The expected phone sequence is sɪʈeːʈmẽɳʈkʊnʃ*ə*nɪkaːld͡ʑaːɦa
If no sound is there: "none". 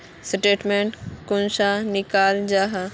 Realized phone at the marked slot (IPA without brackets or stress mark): a